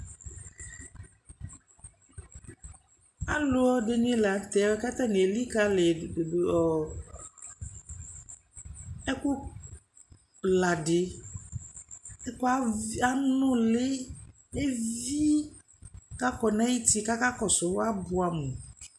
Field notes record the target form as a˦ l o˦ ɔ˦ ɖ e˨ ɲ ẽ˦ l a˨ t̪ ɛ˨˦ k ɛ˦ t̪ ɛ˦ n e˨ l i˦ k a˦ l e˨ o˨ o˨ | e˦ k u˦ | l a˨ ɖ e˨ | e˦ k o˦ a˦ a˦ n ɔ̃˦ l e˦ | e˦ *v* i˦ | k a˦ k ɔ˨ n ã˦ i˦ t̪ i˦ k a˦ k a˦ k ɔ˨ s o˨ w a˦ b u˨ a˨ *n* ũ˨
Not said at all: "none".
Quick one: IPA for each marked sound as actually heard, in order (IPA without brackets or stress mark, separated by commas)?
v, m